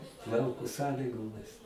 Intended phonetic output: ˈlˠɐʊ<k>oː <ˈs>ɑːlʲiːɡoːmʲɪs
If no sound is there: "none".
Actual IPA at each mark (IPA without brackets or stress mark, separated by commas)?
k, s